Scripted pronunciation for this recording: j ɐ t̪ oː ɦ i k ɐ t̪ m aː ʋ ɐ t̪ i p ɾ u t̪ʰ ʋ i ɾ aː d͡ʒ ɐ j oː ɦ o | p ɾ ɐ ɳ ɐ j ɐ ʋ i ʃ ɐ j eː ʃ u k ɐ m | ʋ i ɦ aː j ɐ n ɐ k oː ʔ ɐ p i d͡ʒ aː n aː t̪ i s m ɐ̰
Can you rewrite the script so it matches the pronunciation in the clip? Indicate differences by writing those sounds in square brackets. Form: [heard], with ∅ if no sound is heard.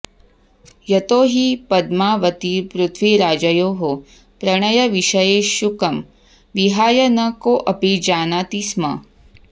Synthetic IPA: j ɐ t̪ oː ɦ i [p] ɐ [d̪] m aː ʋ ɐ t̪ i p ɾ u t̪ʰ ʋ i ɾ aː d͡ʒ ɐ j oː ɦ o | p ɾ ɐ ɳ ɐ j ɐ ʋ i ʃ ɐ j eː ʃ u k ɐ m | ʋ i ɦ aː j ɐ n ɐ k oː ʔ ɐ p i d͡ʒ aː n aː t̪ i s m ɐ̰